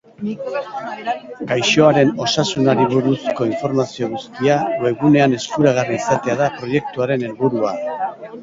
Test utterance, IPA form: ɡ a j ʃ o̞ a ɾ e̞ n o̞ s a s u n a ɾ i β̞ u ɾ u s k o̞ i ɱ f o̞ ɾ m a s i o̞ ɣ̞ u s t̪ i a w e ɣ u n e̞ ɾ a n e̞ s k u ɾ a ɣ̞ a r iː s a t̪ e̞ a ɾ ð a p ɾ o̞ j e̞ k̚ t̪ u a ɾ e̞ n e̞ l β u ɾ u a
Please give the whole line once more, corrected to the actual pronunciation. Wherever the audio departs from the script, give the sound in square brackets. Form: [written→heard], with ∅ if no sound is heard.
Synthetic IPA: ɡ a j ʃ o̞ a ɾ e̞ n o̞ s a s u n a ɾ i β̞ u ɾ u s k o̞ i ɱ f o̞ ɾ m a s i o̞ ɣ̞ u s t̪ i a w e ɣ u n e̞ [ɾ→∅] a n e̞ s k u ɾ a ɣ̞ a r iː s a t̪ e̞ a [ɾ→∅] ð a p ɾ o̞ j e̞ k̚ t̪ u a ɾ e̞ n e̞ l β u ɾ u a